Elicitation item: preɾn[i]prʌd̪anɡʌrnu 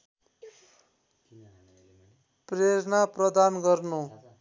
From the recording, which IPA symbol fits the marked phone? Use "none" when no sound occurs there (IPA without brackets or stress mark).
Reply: a